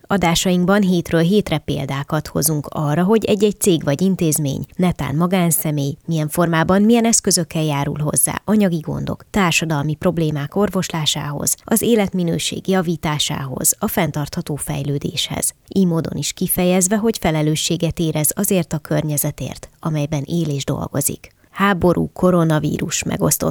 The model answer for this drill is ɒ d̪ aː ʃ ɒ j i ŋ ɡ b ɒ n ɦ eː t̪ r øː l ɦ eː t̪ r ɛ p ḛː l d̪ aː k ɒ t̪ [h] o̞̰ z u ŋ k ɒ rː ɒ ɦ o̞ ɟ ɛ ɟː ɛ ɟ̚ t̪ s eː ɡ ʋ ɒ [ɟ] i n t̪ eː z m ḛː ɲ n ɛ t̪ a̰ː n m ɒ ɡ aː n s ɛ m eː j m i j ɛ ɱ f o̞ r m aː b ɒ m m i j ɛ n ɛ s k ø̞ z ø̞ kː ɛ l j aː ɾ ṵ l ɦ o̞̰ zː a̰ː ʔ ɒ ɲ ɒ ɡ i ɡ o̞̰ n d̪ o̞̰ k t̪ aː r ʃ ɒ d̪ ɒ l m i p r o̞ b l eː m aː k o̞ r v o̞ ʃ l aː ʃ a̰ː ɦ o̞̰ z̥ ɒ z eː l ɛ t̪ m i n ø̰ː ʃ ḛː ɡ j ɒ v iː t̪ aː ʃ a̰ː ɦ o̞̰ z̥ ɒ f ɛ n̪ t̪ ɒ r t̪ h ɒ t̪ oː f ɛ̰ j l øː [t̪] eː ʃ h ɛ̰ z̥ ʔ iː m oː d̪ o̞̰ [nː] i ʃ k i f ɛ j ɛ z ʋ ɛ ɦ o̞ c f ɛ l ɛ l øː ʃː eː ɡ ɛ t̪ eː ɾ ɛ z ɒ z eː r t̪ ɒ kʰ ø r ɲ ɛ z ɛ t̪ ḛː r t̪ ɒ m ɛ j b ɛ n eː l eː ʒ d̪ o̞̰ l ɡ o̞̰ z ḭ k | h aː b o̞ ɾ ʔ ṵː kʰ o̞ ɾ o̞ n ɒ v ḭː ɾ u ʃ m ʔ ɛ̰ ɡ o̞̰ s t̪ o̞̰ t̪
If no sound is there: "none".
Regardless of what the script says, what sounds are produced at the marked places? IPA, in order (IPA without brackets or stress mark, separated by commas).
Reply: h, ɟ, d̪, n